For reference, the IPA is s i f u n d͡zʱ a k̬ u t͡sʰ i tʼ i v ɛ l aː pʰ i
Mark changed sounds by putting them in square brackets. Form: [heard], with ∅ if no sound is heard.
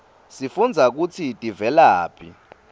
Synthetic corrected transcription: s i f u n d͡zʱ a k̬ u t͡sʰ i tʼ i v ɛ l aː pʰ i